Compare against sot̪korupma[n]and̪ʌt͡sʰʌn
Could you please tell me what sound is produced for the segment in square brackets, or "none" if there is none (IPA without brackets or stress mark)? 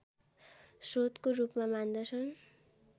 m